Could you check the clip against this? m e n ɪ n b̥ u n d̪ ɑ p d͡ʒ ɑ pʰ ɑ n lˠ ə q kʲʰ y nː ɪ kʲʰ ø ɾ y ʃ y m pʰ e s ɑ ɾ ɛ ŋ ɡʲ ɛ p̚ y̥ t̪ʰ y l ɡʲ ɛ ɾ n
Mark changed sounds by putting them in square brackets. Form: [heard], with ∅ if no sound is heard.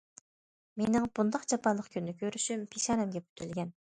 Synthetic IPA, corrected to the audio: m e n ɪ [ŋ] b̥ u n d̪ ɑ [q] d͡ʒ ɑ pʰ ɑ n lˠ ə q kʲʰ y nː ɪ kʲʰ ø ɾ y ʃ y m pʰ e [ʃ] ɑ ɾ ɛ [m] ɡʲ ɛ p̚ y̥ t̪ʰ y l ɡʲ ɛ [∅] n